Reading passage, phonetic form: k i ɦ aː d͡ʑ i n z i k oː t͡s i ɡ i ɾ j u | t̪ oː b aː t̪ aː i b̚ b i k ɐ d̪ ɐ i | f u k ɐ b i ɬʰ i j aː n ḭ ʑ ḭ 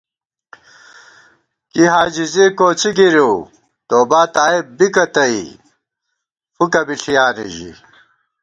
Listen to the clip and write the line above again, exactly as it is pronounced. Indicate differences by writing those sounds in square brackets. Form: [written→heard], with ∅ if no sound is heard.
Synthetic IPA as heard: k i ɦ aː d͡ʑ i [n→∅] z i k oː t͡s i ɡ i ɾ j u | t̪ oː b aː t̪ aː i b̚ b i k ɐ [d̪→t̪] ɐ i | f u k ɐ b i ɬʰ i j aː n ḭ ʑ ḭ